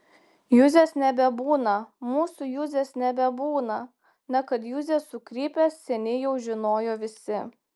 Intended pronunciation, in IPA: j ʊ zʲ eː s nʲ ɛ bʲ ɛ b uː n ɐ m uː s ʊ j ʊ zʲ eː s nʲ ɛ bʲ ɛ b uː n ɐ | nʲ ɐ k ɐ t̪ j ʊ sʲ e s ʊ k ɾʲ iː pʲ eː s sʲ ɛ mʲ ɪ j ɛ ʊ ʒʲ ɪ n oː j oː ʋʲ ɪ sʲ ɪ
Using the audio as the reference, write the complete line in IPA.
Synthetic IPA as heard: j ʊ zʲ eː s nʲ ɛ bʲ ɛ b uː n ɐ m uː s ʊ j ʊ zʲ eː s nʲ ɛ bʲ ɛ b uː n ɐ | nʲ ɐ k ɐ t̪ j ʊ zʲ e s ʊ k ɾʲ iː pʲ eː s sʲ ɛ nʲ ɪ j ɛ ʊ ʒʲ ɪ n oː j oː ʋʲ ɪ sʲ ɪ